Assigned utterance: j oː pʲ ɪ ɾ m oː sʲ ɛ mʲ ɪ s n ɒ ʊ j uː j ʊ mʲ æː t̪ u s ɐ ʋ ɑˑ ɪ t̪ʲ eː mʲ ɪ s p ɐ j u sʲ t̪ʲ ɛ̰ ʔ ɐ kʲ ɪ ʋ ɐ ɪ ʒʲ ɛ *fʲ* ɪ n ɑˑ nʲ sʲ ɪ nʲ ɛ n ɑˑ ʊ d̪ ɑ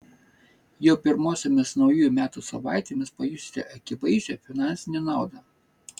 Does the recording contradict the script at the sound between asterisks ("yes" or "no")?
no